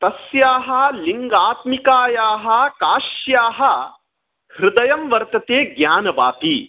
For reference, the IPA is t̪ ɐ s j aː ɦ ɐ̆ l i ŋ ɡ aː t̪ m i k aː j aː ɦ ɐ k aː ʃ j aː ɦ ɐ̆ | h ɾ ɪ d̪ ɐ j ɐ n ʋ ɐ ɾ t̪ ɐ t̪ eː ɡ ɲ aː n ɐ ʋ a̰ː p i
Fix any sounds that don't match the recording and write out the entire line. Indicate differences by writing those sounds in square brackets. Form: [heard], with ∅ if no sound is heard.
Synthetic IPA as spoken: t̪ ɐ s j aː ɦ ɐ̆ l i ŋ ɡ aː t̪ m i k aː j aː ɦ ɐ k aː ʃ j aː ɦ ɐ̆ | h ɾ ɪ d̪ ɐ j ɐ [m] ʋ ɐ ɾ t̪ ɐ t̪ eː ɡ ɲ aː n ɐ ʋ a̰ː p i